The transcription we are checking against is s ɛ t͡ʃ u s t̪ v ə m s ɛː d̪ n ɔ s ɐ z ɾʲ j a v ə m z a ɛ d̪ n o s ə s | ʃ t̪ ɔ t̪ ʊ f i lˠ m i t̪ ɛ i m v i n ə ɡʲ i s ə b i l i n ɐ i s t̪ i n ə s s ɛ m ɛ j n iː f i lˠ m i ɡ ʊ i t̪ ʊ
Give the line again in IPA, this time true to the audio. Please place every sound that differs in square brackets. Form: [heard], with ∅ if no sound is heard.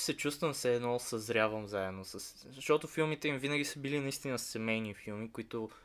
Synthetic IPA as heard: s ɛ t͡ʃ u s t̪ v ə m s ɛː d̪ n ɔ s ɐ z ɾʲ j a v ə m z a ɛ d̪ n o s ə s | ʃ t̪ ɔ t̪ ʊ f i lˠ m i t̪ ɛ i m v i n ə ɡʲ i s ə b i l i n ɐ i s t̪ i n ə s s ɛ m ɛ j n [i] f i lˠ m i [k] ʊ i t̪ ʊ